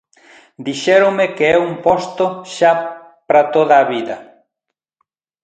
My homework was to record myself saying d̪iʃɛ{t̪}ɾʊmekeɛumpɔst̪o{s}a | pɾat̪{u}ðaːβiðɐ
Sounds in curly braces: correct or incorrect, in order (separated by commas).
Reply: incorrect, incorrect, incorrect